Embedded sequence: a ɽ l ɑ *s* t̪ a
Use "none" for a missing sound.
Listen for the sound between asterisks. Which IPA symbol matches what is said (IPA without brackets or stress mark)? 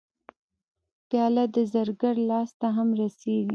s